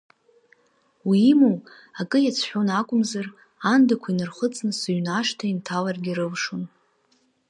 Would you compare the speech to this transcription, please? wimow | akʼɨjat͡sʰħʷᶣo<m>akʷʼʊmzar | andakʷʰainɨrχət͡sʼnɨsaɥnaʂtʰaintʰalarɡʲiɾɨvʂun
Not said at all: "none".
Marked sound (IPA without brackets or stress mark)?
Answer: n